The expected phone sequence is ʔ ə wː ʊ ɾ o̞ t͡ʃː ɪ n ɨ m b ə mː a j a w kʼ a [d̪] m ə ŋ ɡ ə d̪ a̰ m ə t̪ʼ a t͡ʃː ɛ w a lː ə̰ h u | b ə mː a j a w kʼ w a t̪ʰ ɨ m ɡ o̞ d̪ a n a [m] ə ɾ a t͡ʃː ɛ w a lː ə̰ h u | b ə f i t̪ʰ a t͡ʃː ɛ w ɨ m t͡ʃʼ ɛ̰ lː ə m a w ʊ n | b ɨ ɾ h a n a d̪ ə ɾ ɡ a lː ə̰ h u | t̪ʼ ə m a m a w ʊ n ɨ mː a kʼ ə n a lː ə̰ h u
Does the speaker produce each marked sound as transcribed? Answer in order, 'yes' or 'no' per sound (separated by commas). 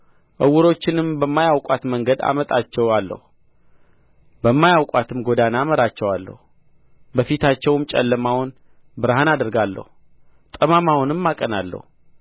no, yes